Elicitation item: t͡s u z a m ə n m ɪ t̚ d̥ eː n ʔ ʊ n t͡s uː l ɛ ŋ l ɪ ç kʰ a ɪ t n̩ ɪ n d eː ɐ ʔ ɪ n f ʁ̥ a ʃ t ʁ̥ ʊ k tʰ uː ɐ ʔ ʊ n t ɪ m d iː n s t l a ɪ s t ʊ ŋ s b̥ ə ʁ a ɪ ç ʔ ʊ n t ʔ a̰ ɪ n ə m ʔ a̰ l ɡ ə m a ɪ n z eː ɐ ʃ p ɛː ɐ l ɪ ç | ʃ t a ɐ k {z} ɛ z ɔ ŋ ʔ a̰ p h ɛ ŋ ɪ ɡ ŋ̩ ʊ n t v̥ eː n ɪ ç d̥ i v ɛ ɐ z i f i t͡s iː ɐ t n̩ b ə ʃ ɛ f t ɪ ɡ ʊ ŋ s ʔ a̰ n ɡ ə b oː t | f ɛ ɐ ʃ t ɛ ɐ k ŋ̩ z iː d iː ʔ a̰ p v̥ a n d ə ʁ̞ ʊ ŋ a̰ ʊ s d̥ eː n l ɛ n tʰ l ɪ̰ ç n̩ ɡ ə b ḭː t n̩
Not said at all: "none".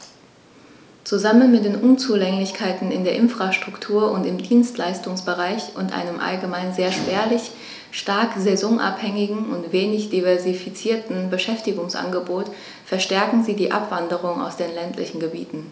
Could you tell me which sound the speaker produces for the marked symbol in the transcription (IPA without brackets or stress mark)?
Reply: z